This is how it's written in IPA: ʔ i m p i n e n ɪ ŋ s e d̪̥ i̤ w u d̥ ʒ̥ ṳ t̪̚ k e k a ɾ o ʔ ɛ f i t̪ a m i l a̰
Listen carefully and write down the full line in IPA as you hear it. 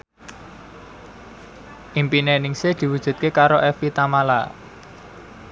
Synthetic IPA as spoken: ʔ i m p i n e n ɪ ŋ s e d̪̥ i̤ w u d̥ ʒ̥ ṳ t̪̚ k e k a ɾ o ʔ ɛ f i t̪ a m a l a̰